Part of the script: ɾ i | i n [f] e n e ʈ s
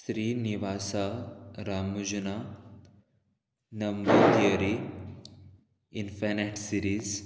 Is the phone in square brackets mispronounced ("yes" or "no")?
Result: no